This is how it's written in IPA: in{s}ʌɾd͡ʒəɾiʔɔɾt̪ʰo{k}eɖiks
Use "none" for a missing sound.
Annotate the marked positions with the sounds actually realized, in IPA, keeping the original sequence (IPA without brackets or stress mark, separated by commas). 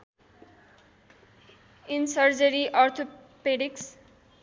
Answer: s, p